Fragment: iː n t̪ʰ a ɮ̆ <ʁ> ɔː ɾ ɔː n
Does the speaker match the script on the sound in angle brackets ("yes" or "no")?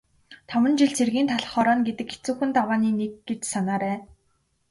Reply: no